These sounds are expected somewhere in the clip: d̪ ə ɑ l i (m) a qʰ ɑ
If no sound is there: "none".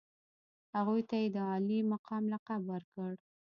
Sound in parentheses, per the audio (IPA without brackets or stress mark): m